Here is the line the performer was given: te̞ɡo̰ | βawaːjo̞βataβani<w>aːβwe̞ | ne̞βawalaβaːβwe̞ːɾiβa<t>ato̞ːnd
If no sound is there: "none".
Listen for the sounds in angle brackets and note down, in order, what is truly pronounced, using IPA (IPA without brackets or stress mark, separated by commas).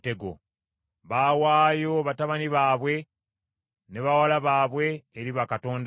β, k